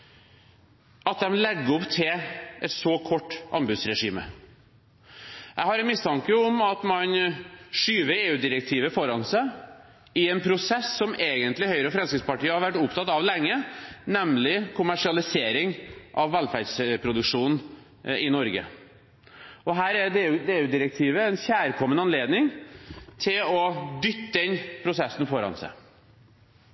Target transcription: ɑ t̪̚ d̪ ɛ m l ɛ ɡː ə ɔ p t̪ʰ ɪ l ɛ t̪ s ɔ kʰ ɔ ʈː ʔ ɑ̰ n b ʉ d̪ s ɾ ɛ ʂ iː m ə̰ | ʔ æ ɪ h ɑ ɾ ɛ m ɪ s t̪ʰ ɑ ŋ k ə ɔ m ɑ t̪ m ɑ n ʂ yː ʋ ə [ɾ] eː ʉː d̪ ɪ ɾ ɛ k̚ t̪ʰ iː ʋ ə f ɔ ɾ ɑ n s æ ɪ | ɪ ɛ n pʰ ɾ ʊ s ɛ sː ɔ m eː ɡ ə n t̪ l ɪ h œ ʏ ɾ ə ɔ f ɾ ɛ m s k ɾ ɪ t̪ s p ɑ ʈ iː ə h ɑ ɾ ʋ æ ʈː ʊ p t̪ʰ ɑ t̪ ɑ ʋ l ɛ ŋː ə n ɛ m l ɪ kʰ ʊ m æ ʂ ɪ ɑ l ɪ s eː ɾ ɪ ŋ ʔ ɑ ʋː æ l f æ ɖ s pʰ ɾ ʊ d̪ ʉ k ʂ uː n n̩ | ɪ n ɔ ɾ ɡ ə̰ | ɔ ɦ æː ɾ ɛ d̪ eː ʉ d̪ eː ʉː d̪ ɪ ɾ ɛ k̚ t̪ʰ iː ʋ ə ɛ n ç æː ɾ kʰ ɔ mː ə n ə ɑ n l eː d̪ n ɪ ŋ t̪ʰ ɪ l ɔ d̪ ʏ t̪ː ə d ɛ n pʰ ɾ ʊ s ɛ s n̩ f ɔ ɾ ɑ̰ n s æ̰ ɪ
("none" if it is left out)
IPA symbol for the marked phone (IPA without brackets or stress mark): ɾ